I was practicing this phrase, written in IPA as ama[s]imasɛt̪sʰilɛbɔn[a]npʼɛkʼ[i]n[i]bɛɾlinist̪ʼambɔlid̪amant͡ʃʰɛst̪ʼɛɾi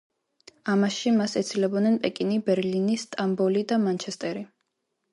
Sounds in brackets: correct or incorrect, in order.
incorrect: ʃ, incorrect: ɛ, correct, correct

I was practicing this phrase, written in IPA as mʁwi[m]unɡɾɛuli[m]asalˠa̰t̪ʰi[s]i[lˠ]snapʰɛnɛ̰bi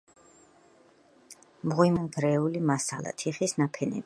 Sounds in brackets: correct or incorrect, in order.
correct, correct, incorrect: χ, incorrect: none

